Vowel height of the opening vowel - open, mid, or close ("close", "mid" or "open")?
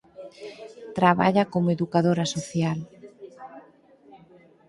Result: open